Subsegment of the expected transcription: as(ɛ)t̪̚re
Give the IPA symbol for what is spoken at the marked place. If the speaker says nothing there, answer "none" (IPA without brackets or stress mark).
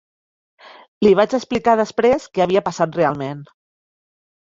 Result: a